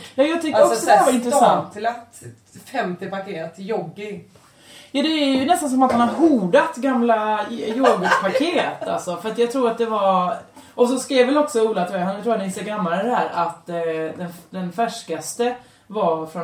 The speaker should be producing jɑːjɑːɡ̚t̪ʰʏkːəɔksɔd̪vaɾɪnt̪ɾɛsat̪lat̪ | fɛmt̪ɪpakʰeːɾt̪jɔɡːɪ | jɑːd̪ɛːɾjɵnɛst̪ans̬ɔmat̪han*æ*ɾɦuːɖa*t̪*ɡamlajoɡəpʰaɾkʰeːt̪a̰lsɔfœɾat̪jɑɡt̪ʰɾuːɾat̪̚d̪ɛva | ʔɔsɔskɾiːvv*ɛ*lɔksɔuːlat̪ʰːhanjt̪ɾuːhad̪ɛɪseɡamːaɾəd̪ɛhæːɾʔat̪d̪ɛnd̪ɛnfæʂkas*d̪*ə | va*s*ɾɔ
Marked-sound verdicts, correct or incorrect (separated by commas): incorrect, correct, correct, incorrect, incorrect